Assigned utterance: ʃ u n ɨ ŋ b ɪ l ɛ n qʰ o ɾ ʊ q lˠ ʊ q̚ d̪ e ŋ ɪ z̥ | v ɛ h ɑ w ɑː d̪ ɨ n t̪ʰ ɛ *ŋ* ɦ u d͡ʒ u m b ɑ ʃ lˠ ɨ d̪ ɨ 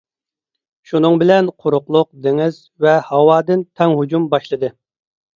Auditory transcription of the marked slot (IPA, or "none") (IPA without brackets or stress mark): ŋ